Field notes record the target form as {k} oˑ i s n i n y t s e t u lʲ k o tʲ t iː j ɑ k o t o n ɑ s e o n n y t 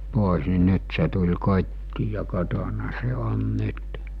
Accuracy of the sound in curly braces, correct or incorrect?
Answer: incorrect: p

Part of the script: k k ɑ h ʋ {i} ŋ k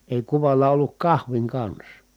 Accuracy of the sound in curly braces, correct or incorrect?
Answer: correct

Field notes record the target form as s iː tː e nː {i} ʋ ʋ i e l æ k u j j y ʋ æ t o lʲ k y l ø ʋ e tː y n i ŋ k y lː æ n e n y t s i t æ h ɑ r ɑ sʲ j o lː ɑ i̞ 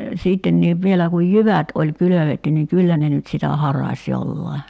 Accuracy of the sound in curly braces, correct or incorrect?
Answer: incorrect: iː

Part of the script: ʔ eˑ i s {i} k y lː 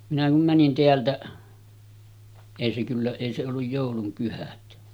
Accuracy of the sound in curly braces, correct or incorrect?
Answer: incorrect: e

